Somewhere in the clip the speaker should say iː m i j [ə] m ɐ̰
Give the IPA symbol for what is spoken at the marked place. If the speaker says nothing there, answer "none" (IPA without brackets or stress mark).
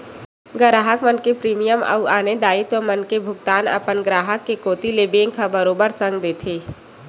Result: ə